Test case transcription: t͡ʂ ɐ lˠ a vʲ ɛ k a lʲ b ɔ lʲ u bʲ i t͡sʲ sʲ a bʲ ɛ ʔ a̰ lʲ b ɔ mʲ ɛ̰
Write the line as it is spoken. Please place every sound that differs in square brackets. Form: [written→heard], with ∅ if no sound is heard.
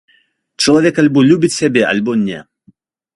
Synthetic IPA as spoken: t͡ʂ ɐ lˠ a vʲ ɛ k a lʲ b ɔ lʲ u bʲ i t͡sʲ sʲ a bʲ ɛ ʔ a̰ lʲ b ɔ [mʲ→nʲ] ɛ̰